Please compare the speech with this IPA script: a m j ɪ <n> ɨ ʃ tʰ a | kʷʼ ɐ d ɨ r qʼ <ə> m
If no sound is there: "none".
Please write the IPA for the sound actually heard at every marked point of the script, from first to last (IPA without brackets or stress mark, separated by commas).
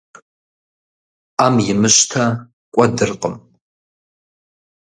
m, ə